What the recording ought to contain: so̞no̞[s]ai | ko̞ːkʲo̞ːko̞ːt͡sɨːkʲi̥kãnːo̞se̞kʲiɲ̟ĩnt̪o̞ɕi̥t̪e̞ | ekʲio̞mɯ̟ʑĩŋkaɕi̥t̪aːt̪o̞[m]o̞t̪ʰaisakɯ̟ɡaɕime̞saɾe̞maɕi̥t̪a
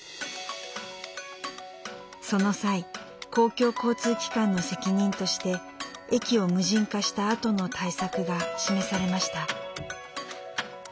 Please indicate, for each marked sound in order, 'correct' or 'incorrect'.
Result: correct, incorrect: n

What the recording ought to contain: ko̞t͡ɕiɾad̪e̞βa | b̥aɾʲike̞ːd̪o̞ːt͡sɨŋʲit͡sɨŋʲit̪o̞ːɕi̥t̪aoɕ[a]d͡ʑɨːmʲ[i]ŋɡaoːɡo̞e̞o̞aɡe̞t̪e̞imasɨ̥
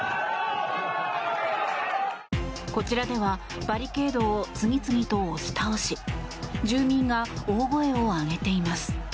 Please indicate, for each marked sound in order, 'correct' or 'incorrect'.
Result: incorrect: i, incorrect: ĩ

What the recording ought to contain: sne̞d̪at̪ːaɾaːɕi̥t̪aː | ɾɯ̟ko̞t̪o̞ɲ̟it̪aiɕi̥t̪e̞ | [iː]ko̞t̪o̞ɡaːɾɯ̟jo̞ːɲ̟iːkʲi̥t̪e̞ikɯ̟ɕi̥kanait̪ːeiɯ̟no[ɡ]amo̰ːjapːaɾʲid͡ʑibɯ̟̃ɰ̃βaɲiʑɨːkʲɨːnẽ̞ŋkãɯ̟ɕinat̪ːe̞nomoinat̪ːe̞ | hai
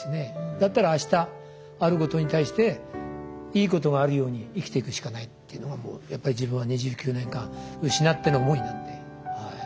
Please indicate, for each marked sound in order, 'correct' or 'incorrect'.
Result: correct, correct

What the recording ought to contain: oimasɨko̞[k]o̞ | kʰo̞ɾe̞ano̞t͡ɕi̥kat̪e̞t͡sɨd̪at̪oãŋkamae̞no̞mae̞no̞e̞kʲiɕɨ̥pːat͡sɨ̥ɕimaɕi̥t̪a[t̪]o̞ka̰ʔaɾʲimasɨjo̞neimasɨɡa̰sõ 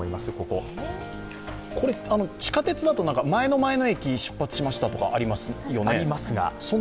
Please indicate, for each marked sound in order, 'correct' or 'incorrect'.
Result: correct, correct

